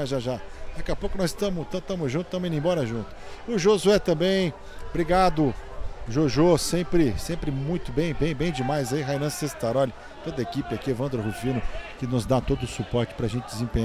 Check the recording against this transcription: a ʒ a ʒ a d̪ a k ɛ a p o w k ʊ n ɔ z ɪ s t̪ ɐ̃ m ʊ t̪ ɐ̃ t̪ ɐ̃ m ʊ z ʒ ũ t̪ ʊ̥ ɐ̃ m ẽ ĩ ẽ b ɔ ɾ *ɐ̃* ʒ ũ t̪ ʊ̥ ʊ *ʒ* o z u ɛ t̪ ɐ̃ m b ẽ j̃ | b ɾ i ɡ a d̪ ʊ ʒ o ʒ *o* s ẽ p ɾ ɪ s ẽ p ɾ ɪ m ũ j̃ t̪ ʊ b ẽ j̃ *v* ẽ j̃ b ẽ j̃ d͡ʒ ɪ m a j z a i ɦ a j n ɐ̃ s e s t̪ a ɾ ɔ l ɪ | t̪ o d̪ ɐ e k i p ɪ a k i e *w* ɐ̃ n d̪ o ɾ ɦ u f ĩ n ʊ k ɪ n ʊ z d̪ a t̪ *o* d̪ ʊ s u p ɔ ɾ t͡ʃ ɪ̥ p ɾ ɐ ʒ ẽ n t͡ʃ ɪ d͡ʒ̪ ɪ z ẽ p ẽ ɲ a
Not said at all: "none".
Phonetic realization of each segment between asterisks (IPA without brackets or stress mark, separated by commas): ɐ, ʒ, o, b, v, o